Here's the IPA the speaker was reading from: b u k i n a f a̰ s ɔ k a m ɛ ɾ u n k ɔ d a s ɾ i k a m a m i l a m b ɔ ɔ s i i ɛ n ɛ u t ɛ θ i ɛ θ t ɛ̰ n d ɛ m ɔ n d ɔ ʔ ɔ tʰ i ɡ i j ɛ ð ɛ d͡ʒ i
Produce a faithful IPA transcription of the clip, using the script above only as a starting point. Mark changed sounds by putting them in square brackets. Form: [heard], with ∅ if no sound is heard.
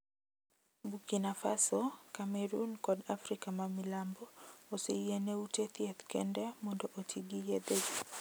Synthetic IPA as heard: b u k i n a f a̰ s ɔ k a m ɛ ɾ u n k ɔ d a [f] ɾ i k a m a m i l a m b ɔ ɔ s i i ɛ n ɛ u t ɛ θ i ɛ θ [k] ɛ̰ n d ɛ m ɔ n d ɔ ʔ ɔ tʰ i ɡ i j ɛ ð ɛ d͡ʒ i

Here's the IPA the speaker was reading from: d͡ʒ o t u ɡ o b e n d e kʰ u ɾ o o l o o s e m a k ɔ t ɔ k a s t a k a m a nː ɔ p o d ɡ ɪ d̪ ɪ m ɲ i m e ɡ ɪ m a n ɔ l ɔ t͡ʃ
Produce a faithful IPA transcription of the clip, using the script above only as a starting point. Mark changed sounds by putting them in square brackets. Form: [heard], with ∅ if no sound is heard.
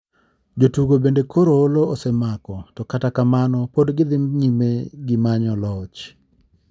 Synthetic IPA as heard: d͡ʒ o t u ɡ o b e n d e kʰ [o] ɾ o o l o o s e m a k ɔ t ɔ k a [∅] t a k a m a [n] ɔ p o d ɡ ɪ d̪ ɪ m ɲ i m e ɡ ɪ m a [ɲ] ɔ l ɔ t͡ʃ

